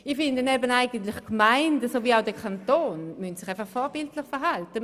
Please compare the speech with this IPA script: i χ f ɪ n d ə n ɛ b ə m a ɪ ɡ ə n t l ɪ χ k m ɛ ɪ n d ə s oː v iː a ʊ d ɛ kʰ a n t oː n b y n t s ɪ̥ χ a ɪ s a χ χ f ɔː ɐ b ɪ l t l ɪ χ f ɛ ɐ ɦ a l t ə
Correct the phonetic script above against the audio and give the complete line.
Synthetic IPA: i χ f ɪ n d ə n ɛ b ə n a ɪ ɡ ə n t l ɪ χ k m a ɪ n d ə s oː v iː a ʊ d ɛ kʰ a n t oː n m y n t s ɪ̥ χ a ɪ f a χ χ f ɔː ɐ b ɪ l t l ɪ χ f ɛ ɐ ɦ a l t ə